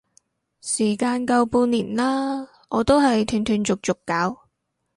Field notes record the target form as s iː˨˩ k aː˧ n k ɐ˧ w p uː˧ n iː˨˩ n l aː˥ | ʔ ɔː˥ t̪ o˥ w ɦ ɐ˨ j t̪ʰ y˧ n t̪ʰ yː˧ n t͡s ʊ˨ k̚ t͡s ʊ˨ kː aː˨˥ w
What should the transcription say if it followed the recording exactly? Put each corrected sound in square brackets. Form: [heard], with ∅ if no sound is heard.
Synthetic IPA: s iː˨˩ k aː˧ n k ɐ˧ w p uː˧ n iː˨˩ n l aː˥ | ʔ [ɔː˨˧] t̪ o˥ w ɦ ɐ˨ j t̪ʰ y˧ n t̪ʰ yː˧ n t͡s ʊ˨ k̚ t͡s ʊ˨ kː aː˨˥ w